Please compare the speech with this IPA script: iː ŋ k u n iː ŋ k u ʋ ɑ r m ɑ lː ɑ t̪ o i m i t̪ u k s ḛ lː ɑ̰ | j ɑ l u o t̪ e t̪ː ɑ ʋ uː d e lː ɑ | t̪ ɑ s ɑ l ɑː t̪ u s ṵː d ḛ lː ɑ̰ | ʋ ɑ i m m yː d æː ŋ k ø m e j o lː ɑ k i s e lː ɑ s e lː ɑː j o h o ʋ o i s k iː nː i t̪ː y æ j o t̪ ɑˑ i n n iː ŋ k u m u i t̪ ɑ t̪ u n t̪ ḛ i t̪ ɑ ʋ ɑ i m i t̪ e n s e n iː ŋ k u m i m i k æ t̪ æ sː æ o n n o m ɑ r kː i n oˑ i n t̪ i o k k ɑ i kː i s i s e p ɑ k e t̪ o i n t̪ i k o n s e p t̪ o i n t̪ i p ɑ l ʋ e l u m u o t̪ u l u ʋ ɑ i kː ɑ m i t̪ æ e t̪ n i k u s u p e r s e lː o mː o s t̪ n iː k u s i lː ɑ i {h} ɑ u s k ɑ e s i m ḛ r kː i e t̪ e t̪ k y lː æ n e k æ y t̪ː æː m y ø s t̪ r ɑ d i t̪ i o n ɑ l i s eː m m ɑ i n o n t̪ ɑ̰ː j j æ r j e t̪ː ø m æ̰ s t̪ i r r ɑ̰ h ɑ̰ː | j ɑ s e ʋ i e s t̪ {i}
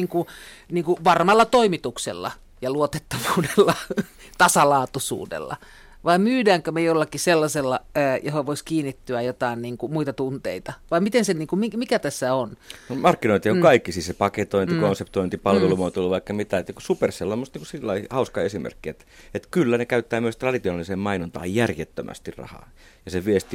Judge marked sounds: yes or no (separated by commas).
yes, yes